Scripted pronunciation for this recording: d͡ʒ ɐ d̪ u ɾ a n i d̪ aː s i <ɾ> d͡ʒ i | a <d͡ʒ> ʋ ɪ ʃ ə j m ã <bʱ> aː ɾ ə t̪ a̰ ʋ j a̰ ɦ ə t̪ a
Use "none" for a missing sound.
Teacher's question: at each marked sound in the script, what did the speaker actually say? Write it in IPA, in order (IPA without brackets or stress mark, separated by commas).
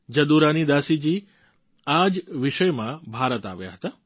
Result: none, d͡ʒ, bʱ